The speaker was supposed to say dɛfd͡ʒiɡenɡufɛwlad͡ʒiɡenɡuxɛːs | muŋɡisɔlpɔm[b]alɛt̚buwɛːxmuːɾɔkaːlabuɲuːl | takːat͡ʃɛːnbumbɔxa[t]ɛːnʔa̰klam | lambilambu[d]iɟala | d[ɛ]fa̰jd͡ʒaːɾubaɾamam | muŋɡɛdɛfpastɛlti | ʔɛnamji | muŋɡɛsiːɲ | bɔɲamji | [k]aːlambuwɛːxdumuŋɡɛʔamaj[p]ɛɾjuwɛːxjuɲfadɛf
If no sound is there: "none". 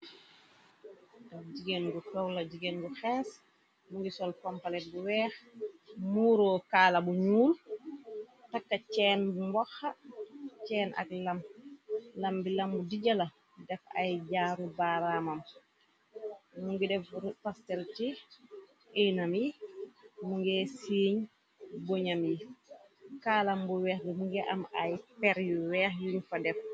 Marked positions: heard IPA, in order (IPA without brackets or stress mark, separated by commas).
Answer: p, t͡ʃ, d, ɛ, k, p